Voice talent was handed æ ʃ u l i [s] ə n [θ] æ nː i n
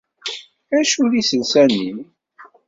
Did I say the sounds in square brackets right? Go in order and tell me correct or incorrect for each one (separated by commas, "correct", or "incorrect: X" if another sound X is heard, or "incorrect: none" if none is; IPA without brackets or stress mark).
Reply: correct, incorrect: s